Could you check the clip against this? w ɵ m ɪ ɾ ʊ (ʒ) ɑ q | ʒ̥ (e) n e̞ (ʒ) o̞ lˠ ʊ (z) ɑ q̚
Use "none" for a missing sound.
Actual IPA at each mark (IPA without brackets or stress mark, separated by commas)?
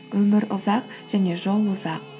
z, æ, ʒ, z